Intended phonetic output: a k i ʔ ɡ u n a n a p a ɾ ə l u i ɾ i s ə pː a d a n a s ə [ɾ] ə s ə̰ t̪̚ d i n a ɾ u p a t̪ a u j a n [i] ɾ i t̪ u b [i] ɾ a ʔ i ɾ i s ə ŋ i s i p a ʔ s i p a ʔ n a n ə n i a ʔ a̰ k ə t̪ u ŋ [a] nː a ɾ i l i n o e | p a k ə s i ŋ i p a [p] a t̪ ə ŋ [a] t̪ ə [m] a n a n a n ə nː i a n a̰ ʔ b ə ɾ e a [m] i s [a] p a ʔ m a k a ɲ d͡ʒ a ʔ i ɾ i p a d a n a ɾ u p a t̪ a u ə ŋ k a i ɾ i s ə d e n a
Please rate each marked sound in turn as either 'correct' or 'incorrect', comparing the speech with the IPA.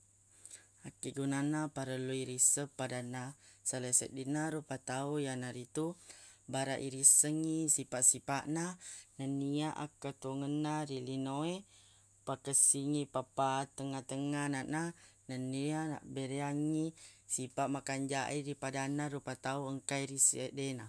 incorrect, incorrect, incorrect, incorrect, correct, correct, incorrect, incorrect, incorrect

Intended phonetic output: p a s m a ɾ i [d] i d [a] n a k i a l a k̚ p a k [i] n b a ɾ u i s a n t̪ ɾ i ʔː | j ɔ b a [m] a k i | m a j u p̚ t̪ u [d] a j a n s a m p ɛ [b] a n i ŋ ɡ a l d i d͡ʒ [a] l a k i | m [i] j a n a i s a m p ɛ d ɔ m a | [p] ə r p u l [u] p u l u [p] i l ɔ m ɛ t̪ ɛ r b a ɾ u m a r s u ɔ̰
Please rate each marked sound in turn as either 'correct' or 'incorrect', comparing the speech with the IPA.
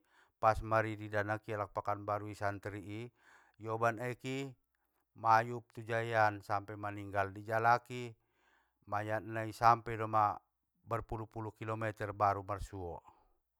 correct, correct, incorrect, incorrect, incorrect, incorrect, correct, incorrect, incorrect, correct, incorrect

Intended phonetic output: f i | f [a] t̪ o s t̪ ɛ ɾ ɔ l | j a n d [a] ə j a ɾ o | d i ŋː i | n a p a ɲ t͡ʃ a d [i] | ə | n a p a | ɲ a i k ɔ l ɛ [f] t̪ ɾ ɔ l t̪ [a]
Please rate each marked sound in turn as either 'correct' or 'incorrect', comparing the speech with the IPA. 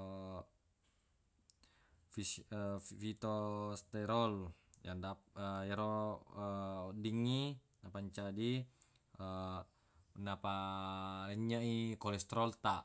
incorrect, correct, correct, incorrect, correct

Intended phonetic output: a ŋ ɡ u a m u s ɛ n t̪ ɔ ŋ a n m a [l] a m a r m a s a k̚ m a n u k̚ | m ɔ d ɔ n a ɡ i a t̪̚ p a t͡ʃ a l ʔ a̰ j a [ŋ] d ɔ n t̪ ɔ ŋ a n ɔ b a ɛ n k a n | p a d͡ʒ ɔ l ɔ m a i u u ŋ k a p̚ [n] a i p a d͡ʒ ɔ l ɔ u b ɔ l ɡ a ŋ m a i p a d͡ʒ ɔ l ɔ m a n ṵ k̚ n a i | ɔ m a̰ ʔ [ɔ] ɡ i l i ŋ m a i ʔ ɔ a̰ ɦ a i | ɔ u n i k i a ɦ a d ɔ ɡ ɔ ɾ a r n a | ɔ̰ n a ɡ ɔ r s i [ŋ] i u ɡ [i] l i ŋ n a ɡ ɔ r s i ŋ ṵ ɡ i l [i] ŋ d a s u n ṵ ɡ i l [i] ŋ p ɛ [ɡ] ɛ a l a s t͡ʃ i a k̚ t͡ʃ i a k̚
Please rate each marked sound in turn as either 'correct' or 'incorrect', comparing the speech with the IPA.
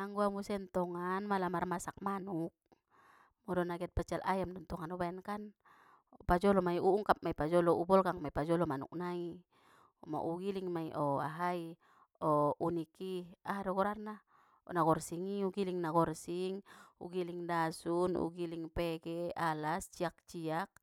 correct, incorrect, incorrect, incorrect, correct, correct, correct, correct, correct

